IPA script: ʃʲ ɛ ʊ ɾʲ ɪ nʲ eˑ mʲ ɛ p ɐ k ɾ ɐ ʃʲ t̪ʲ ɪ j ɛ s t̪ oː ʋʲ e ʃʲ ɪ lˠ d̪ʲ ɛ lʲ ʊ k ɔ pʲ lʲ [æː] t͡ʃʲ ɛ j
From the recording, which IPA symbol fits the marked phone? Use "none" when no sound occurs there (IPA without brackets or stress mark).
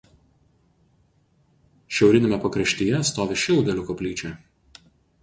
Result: iː